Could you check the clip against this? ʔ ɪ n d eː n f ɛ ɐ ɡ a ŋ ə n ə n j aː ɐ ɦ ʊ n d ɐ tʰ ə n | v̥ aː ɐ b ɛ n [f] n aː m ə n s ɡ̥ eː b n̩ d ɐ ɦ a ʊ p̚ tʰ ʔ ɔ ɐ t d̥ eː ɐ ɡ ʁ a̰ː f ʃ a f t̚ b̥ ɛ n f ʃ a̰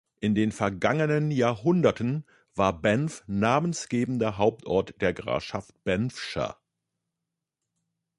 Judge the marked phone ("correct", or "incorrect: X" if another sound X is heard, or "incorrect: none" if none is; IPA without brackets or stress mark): correct